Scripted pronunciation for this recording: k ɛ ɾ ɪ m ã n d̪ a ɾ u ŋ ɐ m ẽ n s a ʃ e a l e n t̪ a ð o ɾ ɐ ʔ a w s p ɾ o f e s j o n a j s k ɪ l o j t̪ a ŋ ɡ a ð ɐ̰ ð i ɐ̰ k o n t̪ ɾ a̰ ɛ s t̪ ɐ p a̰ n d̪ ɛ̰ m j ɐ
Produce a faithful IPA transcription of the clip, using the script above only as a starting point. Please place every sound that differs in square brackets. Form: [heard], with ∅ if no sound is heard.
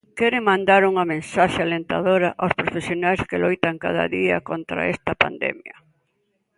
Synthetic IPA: k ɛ ɾ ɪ m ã n d̪ a ɾ u ŋ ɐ m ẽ n s a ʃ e a l e n t̪ a ð o ɾ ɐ ʔ a w s p ɾ o f e s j o n a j s k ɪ l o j t̪ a ŋ [k] a ð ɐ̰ ð i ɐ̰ k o n t̪ ɾ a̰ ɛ s t̪ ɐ p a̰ n d̪ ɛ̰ m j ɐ